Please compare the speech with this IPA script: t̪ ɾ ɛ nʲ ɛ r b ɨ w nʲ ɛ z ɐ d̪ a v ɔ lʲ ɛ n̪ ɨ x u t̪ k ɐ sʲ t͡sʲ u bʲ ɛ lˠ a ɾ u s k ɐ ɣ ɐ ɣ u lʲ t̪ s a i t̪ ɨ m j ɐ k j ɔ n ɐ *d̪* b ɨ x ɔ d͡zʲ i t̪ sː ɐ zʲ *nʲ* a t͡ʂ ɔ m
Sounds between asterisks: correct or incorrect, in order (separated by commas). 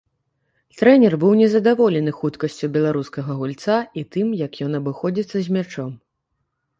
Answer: incorrect, incorrect